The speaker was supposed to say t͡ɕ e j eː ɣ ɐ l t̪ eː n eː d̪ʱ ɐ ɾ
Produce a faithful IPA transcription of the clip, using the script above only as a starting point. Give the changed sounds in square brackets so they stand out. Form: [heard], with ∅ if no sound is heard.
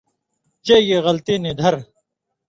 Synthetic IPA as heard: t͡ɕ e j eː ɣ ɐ l t̪ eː n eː d̪ʱ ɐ ɾ

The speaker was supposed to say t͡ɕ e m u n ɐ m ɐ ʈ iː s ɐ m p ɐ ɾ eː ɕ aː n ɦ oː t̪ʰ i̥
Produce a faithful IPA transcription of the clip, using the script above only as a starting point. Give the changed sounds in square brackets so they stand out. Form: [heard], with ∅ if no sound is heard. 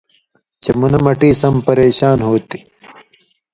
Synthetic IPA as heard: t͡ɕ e m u n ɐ m ɐ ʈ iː s ɐ m p ɐ ɾ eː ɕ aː n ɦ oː [t̪] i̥

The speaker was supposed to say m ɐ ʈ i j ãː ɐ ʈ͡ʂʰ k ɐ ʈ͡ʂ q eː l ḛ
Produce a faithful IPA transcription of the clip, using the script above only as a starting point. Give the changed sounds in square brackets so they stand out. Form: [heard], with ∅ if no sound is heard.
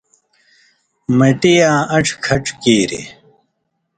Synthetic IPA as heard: m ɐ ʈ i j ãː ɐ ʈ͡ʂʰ [kʰ] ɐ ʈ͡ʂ [k] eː [ɾ] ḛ

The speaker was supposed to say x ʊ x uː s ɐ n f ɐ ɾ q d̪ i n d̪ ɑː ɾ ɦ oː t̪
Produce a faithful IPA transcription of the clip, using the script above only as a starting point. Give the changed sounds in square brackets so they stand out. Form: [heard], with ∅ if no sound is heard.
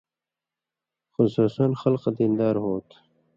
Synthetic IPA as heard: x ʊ [s] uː s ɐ n [x] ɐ [l] q d̪ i n d̪ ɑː ɾ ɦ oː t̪

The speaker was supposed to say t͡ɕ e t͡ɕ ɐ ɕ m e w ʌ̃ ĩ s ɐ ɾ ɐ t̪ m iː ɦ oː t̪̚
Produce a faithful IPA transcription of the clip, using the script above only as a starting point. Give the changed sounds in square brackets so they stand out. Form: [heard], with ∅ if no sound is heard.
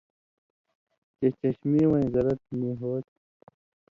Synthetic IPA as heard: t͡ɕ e t͡ɕ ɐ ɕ m [i] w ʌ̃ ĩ [z] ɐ ɾ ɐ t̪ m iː ɦ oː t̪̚

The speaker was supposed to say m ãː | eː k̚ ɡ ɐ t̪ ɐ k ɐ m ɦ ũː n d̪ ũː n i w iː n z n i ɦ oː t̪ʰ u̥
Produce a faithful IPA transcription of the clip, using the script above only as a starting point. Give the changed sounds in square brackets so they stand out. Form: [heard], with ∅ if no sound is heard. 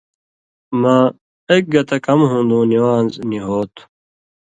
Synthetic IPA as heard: m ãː | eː k̚ ɡ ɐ t̪ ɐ k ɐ m ɦ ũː n d̪ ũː n i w [aː] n z n i ɦ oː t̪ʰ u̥

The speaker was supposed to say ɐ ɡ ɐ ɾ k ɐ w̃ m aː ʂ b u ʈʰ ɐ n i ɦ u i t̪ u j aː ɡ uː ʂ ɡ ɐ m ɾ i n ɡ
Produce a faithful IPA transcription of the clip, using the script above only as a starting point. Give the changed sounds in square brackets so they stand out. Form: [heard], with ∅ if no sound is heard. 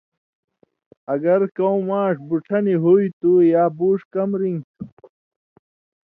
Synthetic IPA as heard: ɐ ɡ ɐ ɾ k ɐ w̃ m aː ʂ b u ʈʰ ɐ n i ɦ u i t̪ u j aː [b] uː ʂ [k] ɐ m ɾ i [ŋ] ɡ

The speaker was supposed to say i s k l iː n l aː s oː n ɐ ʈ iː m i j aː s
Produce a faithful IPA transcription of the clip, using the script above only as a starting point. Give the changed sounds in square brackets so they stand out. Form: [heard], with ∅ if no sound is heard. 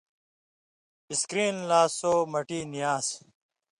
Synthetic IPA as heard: i s k [ɾ] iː n l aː s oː [m] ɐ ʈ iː [n] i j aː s

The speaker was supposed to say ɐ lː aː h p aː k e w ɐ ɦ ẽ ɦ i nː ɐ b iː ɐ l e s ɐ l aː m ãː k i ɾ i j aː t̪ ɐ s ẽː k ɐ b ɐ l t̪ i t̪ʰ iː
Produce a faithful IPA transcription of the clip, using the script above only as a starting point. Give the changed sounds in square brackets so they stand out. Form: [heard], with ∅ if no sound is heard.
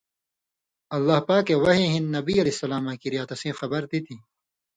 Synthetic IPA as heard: ɐ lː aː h p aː k e w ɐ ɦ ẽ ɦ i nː ɐ b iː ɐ l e s ɐ l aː m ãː k i ɾ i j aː t̪ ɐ s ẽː [x] ɐ b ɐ [ɾ] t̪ i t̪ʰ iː

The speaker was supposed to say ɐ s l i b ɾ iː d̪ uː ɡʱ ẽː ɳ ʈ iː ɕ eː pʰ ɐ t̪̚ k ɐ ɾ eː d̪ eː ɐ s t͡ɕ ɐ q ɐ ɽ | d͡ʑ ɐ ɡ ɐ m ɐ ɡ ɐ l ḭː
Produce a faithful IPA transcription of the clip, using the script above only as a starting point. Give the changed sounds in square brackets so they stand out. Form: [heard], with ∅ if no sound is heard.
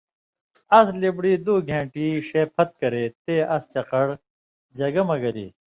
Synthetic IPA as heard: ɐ s l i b [ɽ] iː d̪ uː ɡʱ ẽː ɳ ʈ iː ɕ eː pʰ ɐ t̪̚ k ɐ ɾ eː [t̪] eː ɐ s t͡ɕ ɐ q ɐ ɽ | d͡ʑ ɐ ɡ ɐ m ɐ ɡ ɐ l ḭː

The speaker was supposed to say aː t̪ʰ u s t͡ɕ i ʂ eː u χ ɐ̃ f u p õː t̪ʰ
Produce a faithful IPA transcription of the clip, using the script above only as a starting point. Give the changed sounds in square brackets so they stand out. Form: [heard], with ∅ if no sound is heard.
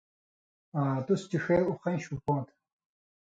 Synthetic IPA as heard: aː [t̪] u s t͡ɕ i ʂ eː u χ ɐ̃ [ɕ] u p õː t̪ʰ

